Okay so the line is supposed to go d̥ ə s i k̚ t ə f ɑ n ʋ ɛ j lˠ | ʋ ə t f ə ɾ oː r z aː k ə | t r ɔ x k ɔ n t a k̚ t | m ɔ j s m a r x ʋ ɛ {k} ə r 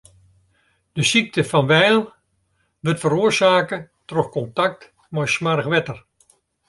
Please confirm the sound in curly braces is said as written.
no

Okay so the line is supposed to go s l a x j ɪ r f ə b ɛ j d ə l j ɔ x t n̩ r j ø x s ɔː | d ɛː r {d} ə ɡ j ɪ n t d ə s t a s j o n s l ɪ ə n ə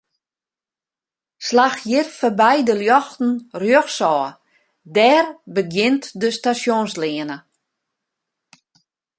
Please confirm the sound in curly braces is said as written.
no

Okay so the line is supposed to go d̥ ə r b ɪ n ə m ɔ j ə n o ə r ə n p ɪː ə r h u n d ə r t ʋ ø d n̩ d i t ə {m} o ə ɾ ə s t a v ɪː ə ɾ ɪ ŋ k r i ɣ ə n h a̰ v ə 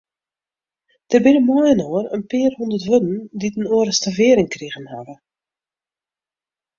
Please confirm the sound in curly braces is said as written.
no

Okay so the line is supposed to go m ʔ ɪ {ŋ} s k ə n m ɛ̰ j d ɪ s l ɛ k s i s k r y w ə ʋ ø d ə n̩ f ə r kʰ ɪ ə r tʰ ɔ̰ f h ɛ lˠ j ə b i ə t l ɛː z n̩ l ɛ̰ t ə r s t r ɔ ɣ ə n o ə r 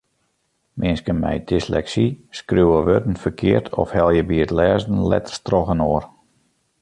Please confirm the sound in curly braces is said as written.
no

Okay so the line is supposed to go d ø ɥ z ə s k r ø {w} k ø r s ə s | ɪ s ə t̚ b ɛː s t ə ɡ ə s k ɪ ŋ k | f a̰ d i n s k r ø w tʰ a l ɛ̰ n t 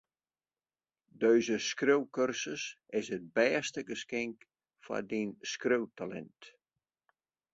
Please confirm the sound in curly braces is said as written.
yes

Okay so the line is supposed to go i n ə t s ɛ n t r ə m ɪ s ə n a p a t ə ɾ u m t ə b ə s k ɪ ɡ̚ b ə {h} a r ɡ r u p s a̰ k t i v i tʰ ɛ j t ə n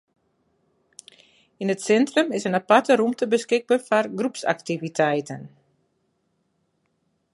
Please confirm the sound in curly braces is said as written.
no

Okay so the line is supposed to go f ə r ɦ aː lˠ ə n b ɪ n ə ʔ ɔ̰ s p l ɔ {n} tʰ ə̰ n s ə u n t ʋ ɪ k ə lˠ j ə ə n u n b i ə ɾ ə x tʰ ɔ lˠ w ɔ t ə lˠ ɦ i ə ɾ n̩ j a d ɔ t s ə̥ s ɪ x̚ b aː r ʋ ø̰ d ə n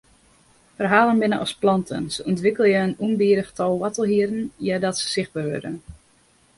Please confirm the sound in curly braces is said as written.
yes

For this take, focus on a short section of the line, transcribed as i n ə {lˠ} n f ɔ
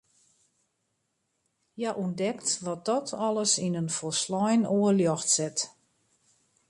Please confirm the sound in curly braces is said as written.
no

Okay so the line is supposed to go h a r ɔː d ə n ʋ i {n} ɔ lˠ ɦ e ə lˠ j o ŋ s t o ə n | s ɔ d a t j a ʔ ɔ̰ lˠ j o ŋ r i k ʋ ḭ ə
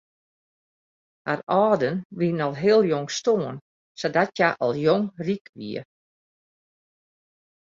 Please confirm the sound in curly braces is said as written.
yes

